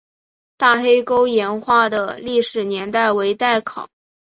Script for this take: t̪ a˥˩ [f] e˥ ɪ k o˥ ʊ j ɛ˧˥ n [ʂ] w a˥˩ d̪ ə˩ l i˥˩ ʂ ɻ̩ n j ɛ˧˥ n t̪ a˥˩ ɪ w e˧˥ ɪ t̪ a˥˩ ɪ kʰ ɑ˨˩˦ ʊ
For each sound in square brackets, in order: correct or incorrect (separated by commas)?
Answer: incorrect, incorrect